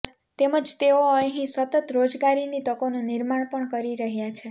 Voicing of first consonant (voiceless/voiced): voiceless